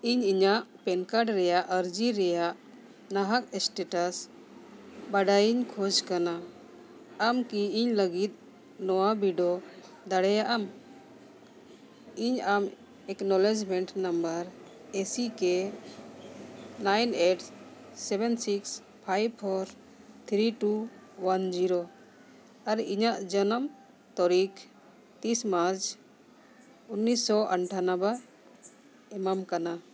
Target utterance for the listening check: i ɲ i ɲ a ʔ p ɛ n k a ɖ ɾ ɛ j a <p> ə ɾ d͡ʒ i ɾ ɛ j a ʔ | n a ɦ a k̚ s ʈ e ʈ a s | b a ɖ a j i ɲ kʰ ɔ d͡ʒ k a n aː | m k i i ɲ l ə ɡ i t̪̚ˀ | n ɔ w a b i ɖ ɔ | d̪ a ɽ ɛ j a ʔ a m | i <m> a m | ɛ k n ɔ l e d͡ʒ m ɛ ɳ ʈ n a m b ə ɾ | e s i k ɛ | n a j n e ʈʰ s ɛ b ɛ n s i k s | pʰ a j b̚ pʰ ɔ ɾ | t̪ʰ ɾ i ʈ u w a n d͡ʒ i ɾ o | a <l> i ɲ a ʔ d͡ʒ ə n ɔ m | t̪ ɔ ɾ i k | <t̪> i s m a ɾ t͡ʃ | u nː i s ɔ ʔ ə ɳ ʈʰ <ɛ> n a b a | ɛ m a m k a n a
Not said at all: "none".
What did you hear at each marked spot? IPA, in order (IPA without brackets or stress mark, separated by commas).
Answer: ʔ, ɲ, ɾ, t̪, a